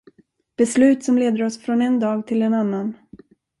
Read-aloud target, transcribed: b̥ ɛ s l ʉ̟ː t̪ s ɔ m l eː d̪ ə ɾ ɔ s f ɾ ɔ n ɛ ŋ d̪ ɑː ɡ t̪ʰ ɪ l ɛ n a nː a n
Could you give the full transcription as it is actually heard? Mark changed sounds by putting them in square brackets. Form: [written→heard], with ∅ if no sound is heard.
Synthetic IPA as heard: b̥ ɛ s l ʉ̟ː t̪ s ɔ m l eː d̪ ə ɾ ɔ s f ɾ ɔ n ɛ [ŋ→n] d̪ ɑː ɡ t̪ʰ ɪ l ɛ n a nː a n